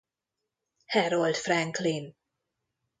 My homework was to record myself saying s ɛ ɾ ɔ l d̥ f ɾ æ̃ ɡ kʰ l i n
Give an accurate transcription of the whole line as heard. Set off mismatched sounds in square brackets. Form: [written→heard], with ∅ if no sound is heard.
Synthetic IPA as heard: [s→h] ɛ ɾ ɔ l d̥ f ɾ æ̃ [ɡ→ŋ] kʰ l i n